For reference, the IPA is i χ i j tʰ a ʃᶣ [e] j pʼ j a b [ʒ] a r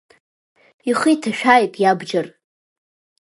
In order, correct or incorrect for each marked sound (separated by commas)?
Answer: incorrect, incorrect